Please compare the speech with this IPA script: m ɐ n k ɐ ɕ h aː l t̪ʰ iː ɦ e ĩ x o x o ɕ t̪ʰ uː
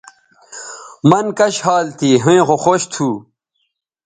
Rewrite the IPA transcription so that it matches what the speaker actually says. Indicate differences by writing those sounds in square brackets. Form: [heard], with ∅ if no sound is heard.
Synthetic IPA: m ɐ n k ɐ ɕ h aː l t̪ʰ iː ɦ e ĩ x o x o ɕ t̪ʰ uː